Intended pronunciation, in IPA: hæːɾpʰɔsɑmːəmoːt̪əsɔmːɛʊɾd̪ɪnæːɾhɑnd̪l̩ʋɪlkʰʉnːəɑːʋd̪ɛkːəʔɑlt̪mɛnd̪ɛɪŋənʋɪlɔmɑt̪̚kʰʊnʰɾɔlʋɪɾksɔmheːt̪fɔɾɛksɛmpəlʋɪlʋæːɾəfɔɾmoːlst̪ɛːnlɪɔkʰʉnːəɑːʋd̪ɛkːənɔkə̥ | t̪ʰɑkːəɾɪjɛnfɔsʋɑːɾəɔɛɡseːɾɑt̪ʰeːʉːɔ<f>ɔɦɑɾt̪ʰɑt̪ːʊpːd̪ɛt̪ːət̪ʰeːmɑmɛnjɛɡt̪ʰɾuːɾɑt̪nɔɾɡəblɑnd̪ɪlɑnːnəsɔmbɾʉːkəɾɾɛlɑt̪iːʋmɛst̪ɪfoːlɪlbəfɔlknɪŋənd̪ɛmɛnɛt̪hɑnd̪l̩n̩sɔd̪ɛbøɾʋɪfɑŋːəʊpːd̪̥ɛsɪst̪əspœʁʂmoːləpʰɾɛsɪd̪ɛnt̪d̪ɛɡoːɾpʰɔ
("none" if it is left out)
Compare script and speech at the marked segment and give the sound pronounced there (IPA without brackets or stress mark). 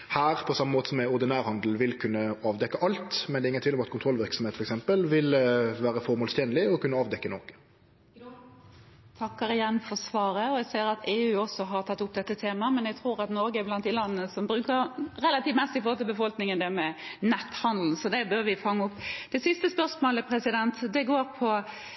s